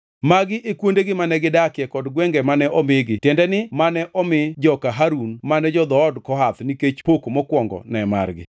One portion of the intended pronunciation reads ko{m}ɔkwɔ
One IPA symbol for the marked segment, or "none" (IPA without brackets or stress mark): m